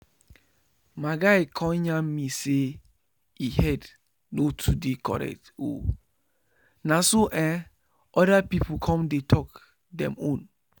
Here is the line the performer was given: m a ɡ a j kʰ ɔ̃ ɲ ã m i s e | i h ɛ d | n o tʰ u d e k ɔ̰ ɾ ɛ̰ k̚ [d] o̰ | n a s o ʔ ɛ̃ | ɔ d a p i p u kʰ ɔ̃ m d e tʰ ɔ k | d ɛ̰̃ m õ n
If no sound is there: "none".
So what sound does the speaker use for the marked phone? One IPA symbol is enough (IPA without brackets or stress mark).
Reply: t